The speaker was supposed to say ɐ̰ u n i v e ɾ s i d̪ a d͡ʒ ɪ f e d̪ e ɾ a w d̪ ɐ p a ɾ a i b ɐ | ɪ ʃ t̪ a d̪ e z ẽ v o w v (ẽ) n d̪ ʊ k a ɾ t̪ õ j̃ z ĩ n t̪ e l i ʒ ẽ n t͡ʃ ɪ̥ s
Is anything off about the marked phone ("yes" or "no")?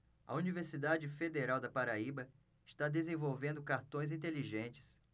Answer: no